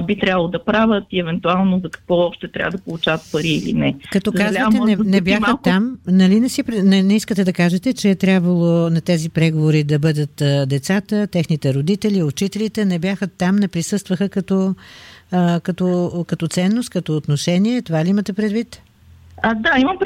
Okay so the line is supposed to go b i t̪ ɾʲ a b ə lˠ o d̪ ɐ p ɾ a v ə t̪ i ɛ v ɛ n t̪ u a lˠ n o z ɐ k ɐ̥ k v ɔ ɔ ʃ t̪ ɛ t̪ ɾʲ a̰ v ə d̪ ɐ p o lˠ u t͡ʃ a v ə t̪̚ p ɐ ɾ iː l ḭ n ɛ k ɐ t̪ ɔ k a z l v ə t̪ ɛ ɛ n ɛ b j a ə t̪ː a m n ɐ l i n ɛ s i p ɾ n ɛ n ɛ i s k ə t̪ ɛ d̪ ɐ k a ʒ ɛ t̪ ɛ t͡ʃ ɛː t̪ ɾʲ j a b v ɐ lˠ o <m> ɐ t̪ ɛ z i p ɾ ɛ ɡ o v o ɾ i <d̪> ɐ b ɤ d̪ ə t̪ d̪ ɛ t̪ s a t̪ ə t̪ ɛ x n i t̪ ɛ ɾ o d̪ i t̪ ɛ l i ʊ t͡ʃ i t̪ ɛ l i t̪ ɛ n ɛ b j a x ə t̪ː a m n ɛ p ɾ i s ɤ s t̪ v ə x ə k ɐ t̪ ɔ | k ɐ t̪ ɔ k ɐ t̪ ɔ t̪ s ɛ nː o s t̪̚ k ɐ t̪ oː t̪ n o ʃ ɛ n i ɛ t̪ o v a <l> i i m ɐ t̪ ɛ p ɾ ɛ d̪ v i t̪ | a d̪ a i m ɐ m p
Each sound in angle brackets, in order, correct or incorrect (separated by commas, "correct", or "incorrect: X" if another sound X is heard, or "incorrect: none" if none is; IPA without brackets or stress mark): incorrect: n, correct, correct